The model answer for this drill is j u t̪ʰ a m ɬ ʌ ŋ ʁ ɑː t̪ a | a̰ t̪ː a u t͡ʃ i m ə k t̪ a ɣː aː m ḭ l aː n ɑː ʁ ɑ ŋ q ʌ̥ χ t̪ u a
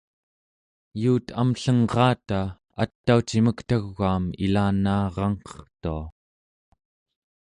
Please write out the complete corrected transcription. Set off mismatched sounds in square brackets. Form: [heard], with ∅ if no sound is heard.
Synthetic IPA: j [uː] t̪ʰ a m ɬ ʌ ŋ ʁ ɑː t̪ a | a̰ t̪ː a u t͡ʃ i m ə k t̪ a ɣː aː m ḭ l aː n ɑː ʁ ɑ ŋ q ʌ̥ χ t̪ u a

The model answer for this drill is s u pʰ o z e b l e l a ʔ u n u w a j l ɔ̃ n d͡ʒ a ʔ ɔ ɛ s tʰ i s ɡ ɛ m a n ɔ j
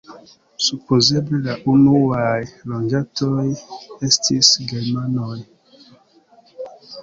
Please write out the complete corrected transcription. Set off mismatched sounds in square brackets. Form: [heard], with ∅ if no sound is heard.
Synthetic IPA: s u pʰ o z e b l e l a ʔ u n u w a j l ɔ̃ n d͡ʒ a [t] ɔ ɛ s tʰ i s ɡ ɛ m a n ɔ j

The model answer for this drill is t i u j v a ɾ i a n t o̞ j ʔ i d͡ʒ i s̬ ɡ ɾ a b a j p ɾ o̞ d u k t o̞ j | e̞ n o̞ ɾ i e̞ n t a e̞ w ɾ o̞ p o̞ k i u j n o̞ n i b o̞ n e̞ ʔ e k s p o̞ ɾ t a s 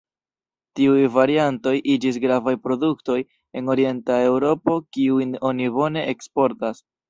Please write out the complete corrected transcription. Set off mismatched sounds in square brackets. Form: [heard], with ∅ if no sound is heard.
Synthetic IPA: t i u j v a ɾ i a n t o̞ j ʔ i d͡ʒ i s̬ ɡ ɾ a [v] a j p ɾ o̞ d u k t o̞ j | e̞ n o̞ ɾ i e̞ n t a e̞ w ɾ o̞ p o̞ k i u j n o̞ n i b o̞ n e̞ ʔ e k s p o̞ ɾ t a s

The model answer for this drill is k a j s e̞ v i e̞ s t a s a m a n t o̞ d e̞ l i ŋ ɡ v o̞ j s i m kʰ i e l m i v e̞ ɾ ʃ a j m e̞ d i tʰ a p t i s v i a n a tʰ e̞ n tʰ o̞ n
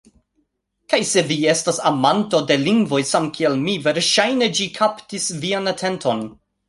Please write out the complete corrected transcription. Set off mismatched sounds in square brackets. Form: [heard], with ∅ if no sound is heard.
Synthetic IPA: k a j s e̞ v i e̞ s t a s a m a n t o̞ d e̞ l i ŋ ɡ v o̞ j s [a] m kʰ i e l m i v e̞ ɾ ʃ a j [n] e̞ [d͡ʒ] i [kʰ] a p t i s v i a n a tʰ e̞ n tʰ o̞ n

